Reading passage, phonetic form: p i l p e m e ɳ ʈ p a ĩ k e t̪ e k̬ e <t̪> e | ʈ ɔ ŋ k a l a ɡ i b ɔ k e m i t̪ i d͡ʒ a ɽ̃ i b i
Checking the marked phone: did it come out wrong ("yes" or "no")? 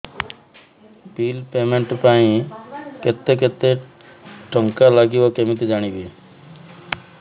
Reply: no